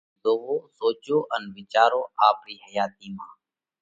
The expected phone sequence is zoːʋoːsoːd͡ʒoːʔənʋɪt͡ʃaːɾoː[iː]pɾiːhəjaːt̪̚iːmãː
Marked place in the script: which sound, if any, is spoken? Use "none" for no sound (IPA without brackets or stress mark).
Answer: aː